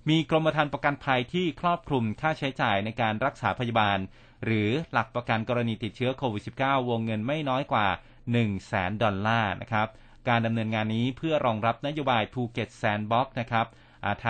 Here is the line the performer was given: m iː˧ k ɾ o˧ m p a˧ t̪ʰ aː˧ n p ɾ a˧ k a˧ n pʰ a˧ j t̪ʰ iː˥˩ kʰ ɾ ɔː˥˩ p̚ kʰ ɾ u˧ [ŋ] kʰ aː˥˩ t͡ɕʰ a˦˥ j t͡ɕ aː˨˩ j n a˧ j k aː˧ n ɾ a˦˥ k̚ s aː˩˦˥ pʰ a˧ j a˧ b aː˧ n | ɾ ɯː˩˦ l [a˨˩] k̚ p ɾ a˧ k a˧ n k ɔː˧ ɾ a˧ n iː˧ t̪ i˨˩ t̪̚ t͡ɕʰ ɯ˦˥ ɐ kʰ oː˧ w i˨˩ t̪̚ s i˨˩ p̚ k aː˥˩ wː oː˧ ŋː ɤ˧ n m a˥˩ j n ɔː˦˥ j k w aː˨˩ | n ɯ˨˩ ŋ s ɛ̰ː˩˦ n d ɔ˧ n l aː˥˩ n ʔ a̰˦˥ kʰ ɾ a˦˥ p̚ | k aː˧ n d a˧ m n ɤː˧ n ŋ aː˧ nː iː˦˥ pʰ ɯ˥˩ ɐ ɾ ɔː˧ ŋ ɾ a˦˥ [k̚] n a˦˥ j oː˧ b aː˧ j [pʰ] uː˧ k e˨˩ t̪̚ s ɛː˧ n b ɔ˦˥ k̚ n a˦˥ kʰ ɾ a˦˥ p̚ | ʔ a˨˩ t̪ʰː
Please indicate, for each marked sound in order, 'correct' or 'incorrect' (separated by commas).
incorrect, correct, incorrect, correct